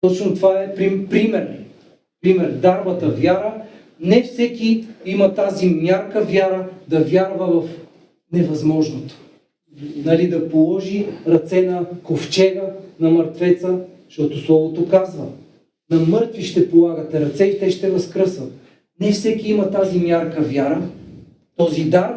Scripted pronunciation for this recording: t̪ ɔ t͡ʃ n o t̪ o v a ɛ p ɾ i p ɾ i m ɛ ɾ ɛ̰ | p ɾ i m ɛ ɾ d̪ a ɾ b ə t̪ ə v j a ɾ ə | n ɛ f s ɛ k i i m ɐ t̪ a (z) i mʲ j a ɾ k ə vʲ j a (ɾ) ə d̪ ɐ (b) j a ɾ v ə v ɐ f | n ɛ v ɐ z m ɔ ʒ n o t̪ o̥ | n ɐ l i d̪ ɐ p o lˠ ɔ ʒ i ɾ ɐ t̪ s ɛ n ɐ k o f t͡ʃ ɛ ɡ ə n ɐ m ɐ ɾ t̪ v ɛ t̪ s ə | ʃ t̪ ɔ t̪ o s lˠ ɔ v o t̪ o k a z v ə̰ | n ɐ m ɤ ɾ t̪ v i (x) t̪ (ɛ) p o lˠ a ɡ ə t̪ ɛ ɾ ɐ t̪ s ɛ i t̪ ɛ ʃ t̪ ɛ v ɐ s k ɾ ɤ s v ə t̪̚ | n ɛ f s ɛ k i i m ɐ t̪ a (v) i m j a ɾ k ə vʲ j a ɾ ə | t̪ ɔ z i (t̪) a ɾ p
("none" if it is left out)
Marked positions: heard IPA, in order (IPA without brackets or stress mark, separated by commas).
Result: z, ɾ, v, ʃ, ɛ, z, d̪